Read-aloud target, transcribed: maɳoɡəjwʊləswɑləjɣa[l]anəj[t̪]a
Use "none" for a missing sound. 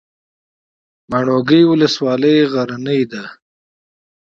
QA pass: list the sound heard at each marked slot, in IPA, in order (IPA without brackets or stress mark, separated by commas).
ɾ, d̪